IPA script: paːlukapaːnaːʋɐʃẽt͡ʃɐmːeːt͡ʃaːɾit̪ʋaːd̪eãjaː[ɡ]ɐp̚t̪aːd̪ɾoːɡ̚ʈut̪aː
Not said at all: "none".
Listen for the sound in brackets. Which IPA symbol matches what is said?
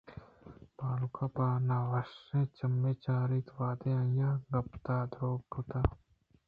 ɡ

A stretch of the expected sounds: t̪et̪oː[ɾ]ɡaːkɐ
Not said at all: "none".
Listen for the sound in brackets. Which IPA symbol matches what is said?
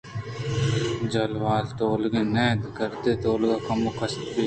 l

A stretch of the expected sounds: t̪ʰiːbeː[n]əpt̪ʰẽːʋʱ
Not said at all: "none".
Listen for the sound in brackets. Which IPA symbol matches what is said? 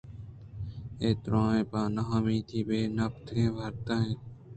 n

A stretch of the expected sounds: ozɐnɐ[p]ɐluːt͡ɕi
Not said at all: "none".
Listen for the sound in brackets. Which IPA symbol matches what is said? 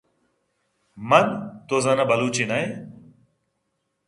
b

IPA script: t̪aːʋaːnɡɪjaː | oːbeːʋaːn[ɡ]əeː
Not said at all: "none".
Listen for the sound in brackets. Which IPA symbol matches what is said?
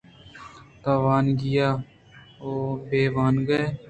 ɡ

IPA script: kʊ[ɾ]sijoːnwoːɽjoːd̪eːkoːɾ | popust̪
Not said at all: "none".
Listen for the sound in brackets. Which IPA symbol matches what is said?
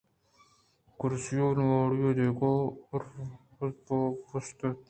ɾ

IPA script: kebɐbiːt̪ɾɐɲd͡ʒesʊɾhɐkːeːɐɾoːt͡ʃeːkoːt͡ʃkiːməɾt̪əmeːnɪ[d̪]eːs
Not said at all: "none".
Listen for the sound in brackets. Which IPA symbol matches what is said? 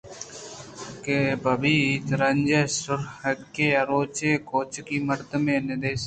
d̪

